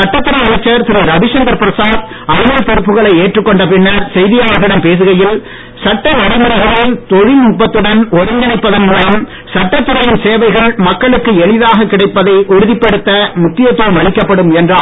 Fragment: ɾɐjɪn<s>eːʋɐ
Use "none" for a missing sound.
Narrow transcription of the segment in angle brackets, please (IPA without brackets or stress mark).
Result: s